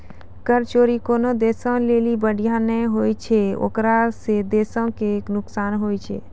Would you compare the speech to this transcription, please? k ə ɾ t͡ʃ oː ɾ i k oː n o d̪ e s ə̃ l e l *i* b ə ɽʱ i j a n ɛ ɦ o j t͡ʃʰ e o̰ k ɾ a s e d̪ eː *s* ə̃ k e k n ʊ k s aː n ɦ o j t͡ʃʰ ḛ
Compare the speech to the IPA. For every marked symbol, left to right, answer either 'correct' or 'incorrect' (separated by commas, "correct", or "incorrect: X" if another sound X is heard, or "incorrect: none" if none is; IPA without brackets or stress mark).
correct, correct